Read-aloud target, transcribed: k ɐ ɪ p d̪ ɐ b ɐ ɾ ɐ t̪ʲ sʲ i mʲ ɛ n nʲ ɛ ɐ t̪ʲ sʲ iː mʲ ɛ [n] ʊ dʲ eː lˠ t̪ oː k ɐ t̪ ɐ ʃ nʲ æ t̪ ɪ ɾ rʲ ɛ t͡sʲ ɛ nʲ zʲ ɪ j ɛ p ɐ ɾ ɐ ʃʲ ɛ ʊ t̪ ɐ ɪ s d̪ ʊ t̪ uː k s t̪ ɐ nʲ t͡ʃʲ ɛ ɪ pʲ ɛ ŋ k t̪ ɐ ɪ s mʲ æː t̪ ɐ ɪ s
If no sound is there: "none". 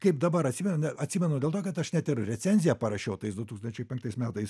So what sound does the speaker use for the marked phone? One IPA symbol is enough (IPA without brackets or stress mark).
n